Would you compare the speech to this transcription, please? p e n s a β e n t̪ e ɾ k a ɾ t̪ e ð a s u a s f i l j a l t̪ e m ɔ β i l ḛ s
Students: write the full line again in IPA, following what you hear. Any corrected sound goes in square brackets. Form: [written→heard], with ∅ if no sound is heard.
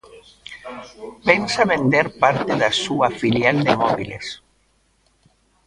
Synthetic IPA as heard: p e n s a β e n [t̪→d̪] e ɾ [k→p] a ɾ t̪ e ð a s u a [s→∅] f i l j a l [t̪→d̪] e m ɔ β i l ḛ s